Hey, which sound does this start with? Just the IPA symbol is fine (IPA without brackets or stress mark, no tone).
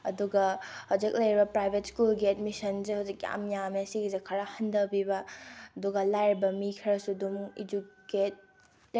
ɐ